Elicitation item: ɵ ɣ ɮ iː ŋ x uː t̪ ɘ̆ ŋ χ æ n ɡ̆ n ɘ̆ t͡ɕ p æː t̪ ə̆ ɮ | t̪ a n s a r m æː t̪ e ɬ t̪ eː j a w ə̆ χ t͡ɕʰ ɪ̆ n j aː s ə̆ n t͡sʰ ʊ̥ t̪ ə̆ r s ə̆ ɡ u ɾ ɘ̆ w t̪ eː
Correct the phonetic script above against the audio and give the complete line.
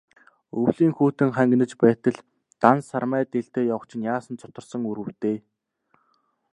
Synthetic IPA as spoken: ɵ w ɮ iː ŋ x uː t̪ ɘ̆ ŋ χ æ ŋ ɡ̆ n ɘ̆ t͡ɕ p æː t̪ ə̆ ɮ | t̪ a n s a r m æː t̪ e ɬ t̪ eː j a w ə̆ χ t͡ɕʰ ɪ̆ n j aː s ə̆ n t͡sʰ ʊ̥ t̪ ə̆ r s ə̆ ŋ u ɾ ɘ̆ w t̪ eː